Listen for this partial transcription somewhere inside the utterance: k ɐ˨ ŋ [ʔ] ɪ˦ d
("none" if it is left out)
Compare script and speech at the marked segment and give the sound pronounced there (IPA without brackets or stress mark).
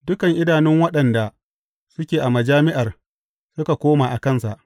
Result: ʔ